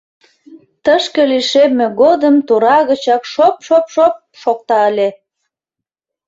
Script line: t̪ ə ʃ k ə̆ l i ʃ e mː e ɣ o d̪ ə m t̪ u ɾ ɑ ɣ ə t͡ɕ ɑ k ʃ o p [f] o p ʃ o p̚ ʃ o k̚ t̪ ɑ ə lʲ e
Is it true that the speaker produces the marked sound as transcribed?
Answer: no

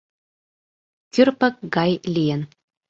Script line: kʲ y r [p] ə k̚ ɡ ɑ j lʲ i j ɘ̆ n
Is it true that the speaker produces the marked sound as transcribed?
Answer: yes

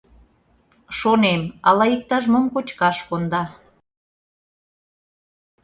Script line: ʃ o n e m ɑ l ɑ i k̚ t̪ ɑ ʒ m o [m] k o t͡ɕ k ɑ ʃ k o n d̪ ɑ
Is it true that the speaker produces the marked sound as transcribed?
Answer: yes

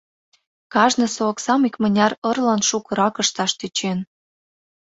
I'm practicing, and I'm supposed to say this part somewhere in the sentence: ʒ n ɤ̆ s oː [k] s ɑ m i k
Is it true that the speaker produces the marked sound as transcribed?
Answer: yes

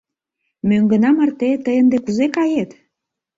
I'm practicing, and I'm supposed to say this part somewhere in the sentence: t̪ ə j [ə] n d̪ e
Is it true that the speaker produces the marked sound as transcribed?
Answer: yes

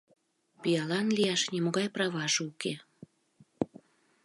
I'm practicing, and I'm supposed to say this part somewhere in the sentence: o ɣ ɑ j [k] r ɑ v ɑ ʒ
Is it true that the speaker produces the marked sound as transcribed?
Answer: no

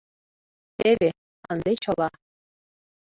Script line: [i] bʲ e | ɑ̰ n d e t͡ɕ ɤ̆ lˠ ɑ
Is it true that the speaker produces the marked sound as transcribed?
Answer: no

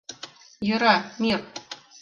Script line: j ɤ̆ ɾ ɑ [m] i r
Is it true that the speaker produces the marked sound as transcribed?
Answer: yes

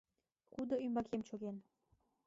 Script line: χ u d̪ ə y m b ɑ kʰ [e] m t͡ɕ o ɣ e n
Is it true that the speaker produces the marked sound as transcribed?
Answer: yes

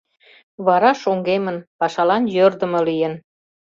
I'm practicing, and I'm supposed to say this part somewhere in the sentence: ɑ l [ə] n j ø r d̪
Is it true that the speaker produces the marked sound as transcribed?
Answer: no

